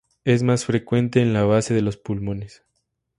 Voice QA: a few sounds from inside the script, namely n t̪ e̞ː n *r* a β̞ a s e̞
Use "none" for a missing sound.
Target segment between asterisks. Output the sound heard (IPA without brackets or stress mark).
l